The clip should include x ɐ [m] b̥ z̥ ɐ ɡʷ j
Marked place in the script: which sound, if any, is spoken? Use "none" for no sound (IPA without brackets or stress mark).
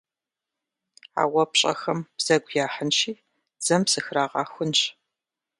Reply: m